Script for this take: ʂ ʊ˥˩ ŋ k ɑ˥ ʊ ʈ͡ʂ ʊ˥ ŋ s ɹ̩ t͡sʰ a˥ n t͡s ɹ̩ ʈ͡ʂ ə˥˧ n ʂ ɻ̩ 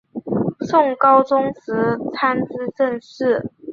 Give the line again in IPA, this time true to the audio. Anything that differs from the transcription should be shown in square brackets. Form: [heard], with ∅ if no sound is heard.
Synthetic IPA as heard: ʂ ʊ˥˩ ŋ k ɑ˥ ʊ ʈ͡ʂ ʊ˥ ŋ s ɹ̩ t͡sʰ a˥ n t͡s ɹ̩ ʈ͡ʂ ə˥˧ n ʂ ɻ̩